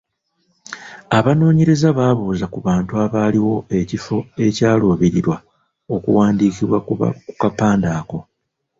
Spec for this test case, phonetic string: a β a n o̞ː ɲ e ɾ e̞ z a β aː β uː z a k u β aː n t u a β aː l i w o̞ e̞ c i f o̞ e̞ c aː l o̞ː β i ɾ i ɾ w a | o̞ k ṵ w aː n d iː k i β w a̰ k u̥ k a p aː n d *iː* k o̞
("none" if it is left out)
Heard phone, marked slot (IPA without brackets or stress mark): aː